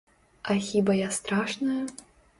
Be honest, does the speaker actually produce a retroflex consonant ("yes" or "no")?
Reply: yes